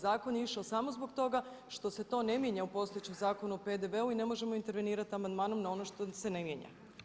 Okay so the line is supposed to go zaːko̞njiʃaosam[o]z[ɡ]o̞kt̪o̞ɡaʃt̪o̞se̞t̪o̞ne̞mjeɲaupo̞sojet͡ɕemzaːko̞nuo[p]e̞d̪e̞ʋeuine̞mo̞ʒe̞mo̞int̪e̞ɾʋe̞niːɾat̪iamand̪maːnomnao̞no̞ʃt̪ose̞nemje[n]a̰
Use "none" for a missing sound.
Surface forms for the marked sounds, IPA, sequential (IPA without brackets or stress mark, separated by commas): o, b, p, ɲ